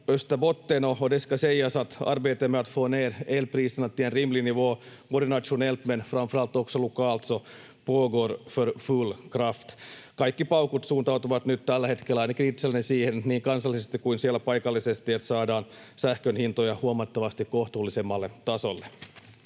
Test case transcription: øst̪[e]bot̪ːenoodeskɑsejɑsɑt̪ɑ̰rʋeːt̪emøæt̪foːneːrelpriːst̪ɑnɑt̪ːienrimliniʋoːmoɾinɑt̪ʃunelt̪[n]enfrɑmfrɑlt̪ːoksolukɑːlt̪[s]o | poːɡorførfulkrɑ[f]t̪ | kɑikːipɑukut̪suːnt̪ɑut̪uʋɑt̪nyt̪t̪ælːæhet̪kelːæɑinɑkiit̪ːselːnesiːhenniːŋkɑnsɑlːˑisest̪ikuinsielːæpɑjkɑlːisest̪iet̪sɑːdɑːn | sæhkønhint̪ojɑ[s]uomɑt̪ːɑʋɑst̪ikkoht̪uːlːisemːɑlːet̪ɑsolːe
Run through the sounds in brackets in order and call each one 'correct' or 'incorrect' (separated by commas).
incorrect, incorrect, correct, correct, incorrect